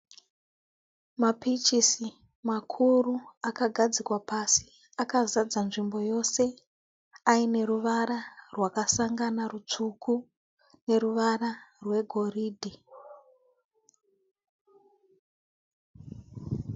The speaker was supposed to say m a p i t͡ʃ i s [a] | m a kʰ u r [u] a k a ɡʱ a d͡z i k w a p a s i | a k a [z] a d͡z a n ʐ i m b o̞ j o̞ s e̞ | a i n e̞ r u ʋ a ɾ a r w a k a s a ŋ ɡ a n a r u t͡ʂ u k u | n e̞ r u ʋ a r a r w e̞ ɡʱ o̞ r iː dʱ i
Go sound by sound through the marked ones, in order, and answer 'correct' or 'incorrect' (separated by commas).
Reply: incorrect, correct, correct